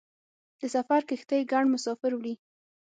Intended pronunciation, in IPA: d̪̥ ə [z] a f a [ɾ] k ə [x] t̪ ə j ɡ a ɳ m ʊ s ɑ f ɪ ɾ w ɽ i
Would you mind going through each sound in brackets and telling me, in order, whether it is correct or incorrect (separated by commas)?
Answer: incorrect, correct, correct